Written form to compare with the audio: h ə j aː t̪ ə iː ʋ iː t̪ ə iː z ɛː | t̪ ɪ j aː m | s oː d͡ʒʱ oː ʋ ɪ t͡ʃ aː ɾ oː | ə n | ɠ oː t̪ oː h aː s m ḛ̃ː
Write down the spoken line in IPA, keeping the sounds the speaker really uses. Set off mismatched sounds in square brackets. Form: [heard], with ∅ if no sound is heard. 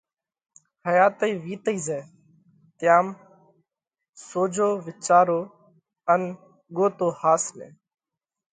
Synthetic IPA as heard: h ə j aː t̪ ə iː ʋ iː t̪ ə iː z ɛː | t̪ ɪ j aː m | s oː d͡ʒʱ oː ʋ ɪ t͡ʃ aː ɾ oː | ə n | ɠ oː t̪ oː h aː s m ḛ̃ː